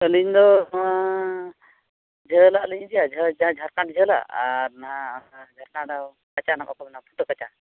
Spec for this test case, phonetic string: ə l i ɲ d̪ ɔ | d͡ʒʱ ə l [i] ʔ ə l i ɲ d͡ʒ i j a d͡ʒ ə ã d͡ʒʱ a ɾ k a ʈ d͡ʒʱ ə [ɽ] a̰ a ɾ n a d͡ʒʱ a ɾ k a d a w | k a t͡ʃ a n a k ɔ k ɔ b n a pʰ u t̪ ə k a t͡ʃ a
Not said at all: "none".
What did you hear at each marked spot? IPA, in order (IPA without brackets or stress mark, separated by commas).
a, l